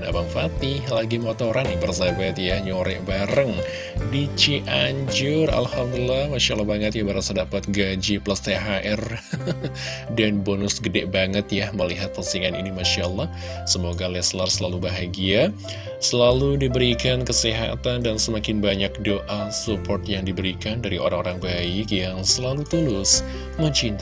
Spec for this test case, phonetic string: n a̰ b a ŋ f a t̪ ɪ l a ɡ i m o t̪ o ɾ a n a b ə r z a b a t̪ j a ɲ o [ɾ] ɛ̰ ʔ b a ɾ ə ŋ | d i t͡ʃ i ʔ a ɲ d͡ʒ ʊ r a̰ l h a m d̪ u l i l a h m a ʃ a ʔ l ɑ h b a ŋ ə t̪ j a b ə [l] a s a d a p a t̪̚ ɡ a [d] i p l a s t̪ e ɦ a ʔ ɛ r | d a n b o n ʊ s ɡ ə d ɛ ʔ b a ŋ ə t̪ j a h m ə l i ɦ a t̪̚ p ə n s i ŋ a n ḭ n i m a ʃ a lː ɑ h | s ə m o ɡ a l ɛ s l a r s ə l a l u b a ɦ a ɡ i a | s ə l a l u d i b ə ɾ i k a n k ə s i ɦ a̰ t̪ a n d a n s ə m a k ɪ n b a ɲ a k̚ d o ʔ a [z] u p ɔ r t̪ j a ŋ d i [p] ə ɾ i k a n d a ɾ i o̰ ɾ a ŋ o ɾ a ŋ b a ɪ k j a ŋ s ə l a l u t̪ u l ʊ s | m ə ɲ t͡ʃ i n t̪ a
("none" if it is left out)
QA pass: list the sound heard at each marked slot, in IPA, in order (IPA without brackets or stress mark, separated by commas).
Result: ɾ, ɾ, d͡ʒ, s, b